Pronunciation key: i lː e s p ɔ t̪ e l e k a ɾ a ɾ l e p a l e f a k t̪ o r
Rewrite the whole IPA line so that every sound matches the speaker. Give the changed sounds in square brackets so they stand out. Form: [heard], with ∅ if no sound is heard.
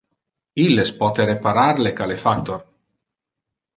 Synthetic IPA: i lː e s p ɔ t̪ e [ɾ] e [p] a ɾ a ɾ l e [k] a l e f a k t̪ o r